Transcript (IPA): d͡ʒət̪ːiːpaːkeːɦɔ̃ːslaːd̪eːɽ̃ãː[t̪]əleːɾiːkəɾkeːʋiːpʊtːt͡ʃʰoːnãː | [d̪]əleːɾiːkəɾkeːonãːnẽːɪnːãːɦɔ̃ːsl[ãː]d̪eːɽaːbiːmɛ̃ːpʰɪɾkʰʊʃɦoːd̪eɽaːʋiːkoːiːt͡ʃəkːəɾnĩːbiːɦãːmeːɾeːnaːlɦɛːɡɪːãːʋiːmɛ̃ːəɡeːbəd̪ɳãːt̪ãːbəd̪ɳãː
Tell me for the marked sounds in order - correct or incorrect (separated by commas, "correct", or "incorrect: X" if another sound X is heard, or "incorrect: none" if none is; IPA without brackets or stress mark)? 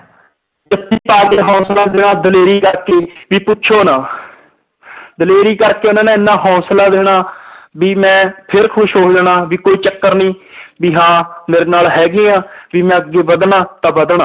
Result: incorrect: d̪, correct, incorrect: aː